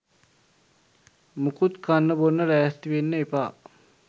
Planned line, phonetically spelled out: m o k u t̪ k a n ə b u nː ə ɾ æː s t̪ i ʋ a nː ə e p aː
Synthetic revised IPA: m u k u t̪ k a nː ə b o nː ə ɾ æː s t̪ i ʋ e nː ə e p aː